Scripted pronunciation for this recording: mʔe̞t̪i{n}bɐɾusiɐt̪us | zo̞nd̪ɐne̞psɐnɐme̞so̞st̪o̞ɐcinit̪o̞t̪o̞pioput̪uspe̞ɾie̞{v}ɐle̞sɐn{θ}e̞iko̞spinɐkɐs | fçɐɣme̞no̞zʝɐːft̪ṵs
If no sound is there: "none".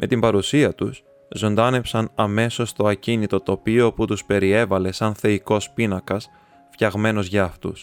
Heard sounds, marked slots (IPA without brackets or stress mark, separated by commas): m, v, θ